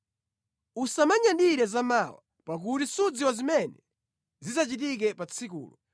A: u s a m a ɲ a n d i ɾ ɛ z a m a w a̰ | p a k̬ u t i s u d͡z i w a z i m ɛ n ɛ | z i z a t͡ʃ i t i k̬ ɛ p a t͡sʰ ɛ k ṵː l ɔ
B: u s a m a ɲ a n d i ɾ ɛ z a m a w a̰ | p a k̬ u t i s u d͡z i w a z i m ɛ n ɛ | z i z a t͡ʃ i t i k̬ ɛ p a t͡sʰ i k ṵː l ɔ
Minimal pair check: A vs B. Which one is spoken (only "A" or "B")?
B